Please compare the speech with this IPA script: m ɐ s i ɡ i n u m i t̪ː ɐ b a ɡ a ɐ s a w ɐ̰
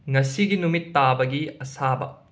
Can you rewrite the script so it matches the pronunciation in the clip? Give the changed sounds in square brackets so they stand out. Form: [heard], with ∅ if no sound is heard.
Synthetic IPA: [ŋ] ɐ s i ɡ i n u m i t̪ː [a] b [ɐ] ɡ [i] ɐ s a [b] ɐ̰